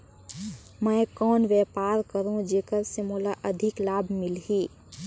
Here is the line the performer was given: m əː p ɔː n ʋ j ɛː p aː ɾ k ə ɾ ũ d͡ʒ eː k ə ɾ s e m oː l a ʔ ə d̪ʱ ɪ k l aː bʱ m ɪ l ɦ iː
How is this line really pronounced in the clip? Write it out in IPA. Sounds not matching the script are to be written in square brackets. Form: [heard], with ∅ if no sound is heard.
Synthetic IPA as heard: m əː [k] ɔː n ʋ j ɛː p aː ɾ k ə ɾ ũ d͡ʒ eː k ə ɾ s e m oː l a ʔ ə d̪ʱ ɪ k l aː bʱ m ɪ l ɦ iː